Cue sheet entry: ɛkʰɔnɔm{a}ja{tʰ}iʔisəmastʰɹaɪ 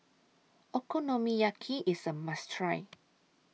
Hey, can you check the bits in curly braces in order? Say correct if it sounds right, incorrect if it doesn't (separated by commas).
incorrect, incorrect